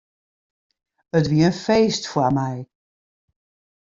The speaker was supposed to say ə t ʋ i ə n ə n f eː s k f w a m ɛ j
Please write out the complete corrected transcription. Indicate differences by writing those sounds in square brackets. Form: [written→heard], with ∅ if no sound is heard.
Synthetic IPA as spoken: ə t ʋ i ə [n→∅] ə n f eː s [k→t] f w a m ɛ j

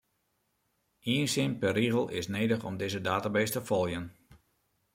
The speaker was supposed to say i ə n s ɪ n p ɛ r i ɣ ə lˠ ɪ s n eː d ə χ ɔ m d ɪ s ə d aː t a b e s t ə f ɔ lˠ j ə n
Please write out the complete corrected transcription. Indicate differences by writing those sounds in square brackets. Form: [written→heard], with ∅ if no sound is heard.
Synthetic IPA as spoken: i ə n s ɪ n p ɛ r i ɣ ə lˠ ɪ s n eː d ə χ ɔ m d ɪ [s→z] ə d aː t a b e s t ə f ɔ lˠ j ə n

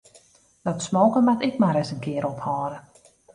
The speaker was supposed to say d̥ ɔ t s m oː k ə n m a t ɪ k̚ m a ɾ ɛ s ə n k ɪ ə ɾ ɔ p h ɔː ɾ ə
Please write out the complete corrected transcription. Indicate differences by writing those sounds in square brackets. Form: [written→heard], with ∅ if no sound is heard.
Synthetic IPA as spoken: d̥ ɔ t s m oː k ə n m a t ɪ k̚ m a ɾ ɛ s ə n k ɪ ə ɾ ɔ p h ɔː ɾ ə

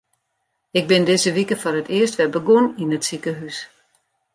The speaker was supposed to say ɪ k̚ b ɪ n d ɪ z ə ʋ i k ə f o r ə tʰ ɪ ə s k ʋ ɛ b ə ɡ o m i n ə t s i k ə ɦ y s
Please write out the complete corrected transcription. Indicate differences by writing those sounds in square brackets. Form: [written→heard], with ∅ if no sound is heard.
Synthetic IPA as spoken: ɪ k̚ b ɪ n d ɪ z ə ʋ i k ə f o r ə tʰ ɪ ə s [k→t] ʋ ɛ b ə ɡ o [m→n] i n ə t s i k ə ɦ y s

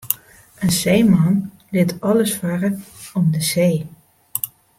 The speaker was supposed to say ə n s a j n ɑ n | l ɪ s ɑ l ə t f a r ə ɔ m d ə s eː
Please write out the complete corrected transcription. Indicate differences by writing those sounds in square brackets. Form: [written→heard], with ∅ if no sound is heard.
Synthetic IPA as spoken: ə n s [a→e] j [n→m] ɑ n | l ɪ [s→t] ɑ l ə [t→s] f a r ə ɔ m d ə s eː

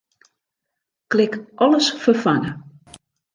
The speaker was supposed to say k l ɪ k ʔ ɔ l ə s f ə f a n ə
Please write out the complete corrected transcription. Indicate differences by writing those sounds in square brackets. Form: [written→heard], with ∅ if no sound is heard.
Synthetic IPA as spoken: k l ɪ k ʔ ɔ l ə s f ə f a n ə

